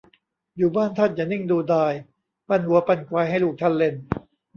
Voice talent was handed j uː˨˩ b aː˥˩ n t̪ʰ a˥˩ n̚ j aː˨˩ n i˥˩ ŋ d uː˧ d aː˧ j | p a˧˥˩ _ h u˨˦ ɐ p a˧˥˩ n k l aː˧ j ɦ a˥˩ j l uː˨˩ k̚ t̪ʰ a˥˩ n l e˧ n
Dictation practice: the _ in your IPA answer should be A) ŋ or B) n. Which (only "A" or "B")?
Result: B